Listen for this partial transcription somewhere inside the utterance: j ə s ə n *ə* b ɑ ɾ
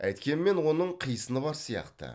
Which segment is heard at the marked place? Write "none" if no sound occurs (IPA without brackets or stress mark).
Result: ə